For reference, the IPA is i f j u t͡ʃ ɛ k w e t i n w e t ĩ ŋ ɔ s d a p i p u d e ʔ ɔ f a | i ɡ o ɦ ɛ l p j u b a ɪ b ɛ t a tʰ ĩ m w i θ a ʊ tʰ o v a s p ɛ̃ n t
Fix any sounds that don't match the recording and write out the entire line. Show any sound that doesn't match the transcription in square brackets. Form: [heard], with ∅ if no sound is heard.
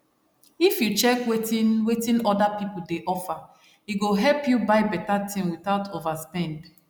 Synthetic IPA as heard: i f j u t͡ʃ ɛ k w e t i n w e t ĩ [n] ɔ [∅] d a p i p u d e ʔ ɔ f a | i ɡ o ɦ ɛ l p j u b a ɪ b ɛ t a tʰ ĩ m w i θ a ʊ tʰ o v a s p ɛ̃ n [d]